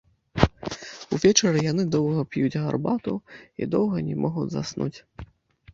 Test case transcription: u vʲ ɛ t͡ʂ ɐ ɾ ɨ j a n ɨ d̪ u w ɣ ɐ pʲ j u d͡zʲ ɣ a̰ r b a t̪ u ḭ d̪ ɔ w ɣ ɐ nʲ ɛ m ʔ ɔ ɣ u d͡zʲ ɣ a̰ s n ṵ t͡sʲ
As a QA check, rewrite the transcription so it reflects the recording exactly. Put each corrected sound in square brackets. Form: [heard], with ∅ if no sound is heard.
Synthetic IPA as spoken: u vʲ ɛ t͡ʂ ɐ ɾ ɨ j a n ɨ d̪ [ɔ] w ɣ ɐ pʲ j u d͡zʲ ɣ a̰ r b a t̪ u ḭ d̪ ɔ w ɣ ɐ nʲ ɛ m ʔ ɔ ɣ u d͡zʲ [z] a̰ s n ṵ t͡sʲ